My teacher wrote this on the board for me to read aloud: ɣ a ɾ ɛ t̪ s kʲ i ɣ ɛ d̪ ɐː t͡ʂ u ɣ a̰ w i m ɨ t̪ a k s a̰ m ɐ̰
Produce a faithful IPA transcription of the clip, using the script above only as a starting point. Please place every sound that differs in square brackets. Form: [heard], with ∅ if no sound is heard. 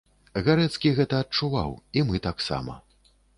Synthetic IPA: ɣ a ɾ ɛ t̪ s kʲ i ɣ ɛ [t̪] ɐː t͡ʂ u [v] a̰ w i m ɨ t̪ a k s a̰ m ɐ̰